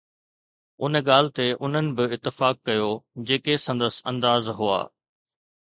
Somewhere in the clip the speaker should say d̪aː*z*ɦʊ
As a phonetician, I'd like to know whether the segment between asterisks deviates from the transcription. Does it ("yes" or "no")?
no